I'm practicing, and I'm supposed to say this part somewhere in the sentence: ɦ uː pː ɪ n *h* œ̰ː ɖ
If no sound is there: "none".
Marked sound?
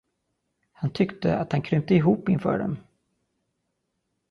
f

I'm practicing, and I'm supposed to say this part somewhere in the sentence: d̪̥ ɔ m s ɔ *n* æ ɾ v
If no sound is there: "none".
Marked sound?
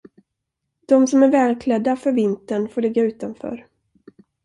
m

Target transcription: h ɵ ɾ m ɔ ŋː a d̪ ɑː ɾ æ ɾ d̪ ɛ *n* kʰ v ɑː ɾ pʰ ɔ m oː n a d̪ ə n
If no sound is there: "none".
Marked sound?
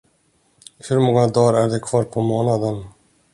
none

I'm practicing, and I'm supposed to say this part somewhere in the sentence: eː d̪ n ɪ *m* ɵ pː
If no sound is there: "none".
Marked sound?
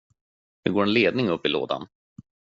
ŋ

